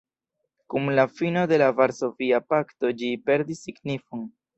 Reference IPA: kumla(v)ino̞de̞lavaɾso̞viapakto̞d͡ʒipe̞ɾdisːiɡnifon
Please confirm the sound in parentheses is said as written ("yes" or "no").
no